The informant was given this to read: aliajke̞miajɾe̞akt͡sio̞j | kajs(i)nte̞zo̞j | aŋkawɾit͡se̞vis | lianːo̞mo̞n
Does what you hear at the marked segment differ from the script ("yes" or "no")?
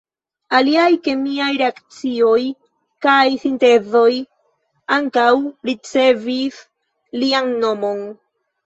no